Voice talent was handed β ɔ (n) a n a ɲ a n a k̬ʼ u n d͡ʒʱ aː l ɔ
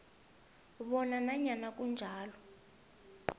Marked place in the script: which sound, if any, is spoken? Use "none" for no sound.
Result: n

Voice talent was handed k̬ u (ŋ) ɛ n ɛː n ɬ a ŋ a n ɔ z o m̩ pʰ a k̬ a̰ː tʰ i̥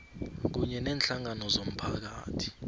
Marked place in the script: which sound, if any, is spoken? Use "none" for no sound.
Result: ɲ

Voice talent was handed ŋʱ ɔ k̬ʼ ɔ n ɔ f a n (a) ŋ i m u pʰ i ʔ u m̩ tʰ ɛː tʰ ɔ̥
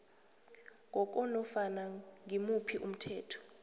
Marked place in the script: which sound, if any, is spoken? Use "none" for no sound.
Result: a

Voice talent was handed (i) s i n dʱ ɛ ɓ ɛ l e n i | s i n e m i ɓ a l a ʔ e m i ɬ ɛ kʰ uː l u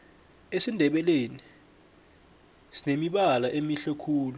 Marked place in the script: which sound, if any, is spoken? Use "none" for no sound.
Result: e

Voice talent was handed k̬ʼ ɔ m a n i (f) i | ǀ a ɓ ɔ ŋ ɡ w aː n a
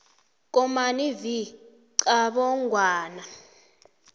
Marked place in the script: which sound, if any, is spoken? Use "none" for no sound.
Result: v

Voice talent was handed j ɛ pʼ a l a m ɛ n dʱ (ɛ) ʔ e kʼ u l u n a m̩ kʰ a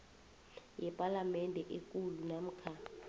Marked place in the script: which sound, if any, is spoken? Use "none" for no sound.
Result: ɛ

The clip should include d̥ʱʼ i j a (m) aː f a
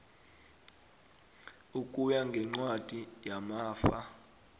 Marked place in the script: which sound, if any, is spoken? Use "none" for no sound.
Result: m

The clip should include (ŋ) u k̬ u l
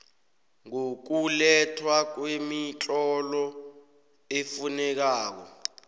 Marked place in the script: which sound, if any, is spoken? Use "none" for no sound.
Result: ŋ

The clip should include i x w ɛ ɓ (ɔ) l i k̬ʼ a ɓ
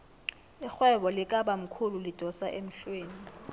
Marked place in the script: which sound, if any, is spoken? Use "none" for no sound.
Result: ɔ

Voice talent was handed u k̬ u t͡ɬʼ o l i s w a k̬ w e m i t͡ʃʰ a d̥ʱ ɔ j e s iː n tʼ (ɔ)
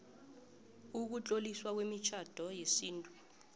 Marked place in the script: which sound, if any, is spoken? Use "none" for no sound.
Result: u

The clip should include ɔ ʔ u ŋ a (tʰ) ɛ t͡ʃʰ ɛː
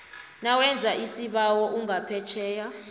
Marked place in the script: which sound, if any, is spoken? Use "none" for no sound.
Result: pʰ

